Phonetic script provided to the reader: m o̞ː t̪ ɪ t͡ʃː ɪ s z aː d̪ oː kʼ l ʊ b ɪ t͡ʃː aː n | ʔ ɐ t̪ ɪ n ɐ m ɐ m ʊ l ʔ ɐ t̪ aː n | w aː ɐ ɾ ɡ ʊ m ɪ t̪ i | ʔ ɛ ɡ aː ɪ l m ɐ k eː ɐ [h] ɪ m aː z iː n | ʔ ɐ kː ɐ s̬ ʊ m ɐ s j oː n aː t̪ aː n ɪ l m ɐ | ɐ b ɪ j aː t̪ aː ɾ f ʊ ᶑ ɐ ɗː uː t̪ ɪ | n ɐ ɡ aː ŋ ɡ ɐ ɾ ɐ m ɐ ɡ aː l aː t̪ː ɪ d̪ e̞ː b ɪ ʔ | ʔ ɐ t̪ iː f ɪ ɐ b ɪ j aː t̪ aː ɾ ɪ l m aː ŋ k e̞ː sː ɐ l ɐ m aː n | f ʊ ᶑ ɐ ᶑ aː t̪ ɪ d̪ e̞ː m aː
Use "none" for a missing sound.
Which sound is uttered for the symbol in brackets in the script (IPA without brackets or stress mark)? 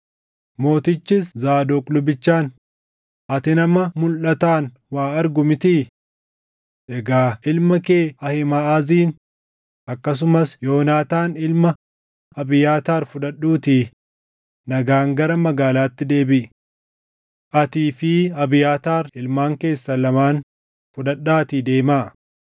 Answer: h